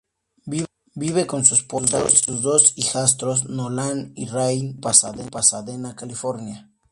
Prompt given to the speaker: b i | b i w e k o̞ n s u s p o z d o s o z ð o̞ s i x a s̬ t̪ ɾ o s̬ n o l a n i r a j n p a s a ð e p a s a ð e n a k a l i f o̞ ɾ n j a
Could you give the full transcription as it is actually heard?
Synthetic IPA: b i | b i β e k o̞ n s u s p o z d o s u z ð o̞ s i x a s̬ t̪ ɾ o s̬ n o l a n i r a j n p a s a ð e p a s a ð e n a k a l i f o̞ ɾ n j a

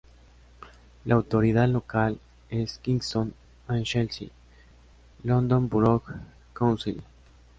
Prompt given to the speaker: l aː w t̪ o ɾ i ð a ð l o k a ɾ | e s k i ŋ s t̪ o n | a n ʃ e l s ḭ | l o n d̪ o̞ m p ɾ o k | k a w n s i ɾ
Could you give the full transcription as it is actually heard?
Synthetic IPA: l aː w t̪ o ɾ i ð a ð l o k a l | e s k i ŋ s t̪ o n | a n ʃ e l s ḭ | l o n d̪ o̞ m b ɾ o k | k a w n s i l

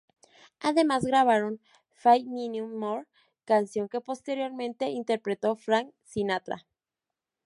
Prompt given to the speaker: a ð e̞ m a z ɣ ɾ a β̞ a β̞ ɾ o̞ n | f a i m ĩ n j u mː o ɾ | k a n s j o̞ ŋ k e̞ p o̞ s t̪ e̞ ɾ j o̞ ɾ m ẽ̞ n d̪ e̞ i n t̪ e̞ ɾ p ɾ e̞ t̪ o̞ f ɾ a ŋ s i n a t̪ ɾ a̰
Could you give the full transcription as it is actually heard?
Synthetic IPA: a ð e̞ m a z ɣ ɾ a β̞ a ɾ o̞ n | f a j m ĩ n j u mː o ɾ | k a n s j o̞ ŋ k e̞ p o̞ s t̪ e̞ ɾ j o̞ ɾ m ẽ̞ n t̪ e̞ i n t̪ e̞ ɾ p ɾ e̞ t̪ o̞ f ɾ a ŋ s i n a t̪ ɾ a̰

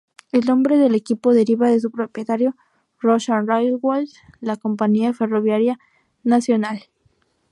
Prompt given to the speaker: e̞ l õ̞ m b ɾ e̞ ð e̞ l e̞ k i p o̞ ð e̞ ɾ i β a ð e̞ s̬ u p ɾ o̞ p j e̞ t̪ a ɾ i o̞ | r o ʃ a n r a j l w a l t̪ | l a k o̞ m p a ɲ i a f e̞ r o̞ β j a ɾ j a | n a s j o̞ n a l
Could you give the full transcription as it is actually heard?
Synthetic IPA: e̞ l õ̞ m b ɾ e̞ ð e̞ l e̞ k i p o̞ ð e̞ ɾ i β a ð e̞ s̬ u p ɾ o̞ p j e̞ t̪ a ɾ j o̞ | r o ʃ a n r a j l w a l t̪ | l a k o̞ m p a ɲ i a f e̞ r o̞ β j a ɾ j a | n a s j o̞ n a l

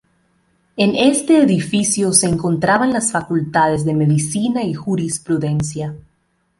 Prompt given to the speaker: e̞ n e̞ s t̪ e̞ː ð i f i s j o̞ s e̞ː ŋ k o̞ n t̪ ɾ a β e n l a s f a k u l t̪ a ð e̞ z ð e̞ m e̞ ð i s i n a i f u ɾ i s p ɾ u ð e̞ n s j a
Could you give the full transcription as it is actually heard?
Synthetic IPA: e̞ n e̞ s t̪ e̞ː ð i f i s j o̞ s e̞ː ŋ k o̞ n t̪ ɾ a β a n l a s f a k u l t̪ a ð e̞ z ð e̞ m e̞ ð i s i n a i x u ɾ i s p ɾ u ð e̞ n s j a

